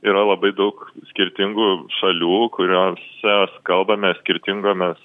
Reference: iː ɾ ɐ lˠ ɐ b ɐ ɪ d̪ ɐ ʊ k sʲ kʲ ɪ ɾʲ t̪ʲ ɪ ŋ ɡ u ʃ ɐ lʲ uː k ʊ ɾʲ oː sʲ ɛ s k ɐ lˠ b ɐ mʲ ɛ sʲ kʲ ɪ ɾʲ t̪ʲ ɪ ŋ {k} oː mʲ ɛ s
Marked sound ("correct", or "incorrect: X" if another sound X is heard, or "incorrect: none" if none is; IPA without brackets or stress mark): incorrect: ɡ